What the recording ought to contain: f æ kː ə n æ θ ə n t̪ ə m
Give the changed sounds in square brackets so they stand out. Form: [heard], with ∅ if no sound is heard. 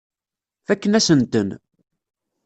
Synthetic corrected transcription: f æ kː ə n æ [s] ə n t̪ ə [n]